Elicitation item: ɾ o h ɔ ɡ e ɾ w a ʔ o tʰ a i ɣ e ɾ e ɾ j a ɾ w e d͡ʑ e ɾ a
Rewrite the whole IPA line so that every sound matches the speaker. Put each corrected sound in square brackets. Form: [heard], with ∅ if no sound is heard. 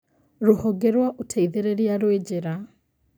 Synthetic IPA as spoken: ɾ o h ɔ ɡ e ɾ w a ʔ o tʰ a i [ð] e ɾ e ɾ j a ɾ w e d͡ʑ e ɾ a